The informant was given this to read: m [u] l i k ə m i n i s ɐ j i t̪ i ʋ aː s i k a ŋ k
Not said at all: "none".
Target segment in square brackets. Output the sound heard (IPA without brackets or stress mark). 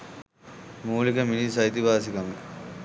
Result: uː